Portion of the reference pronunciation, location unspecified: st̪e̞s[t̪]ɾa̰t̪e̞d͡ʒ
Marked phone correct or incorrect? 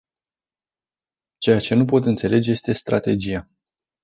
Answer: correct